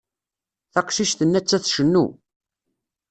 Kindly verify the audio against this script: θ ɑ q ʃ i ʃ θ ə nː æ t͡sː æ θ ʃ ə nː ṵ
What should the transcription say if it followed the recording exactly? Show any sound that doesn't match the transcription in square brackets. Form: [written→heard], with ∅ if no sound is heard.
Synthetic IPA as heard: θ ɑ q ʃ i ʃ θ ə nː æ t͡sː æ θ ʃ ə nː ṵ